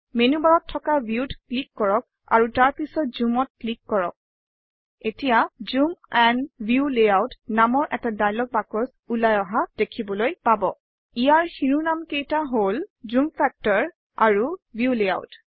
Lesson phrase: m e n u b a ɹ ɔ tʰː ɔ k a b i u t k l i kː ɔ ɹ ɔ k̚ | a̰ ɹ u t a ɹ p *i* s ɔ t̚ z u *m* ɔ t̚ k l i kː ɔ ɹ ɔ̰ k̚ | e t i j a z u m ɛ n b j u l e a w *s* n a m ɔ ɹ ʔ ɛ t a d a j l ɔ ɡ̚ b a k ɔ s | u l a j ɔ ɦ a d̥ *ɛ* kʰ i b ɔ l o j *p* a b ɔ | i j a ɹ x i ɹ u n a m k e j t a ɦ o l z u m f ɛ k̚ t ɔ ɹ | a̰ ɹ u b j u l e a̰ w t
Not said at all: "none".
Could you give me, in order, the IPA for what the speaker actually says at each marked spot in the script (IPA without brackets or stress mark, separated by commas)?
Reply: i, m, t, e, p